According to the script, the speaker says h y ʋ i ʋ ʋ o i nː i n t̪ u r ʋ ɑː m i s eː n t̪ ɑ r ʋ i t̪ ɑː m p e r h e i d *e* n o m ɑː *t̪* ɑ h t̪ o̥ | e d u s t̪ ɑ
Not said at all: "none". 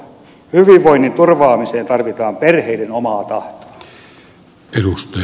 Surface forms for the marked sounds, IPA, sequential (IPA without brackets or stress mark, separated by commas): e, t̪